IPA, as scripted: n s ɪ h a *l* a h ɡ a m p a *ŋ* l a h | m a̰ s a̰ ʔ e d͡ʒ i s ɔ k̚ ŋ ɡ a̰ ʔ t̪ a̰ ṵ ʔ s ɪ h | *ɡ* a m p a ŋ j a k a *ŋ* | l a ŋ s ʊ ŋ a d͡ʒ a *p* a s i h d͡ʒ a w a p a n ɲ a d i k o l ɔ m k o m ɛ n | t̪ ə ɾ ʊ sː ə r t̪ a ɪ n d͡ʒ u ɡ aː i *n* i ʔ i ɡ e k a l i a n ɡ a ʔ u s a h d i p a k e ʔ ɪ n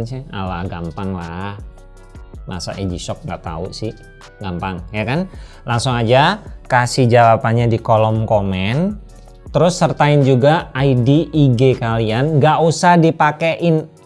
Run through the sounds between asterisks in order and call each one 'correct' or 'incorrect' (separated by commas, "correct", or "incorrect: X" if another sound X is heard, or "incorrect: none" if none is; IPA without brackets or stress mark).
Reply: correct, correct, correct, incorrect: n, incorrect: k, incorrect: d